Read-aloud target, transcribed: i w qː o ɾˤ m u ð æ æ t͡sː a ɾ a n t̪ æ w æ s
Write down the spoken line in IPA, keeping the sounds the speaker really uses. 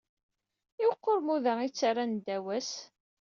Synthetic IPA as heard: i w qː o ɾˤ m u ð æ i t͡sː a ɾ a n d̪ æ w æ s